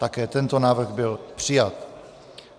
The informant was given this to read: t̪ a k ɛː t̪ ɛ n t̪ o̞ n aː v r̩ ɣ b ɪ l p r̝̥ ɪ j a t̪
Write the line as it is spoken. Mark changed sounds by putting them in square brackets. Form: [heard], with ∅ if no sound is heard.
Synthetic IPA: t̪ a k ɛː t̪ ɛ n t̪ o̞ n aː v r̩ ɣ b ɪ l p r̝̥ ɪ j a t̪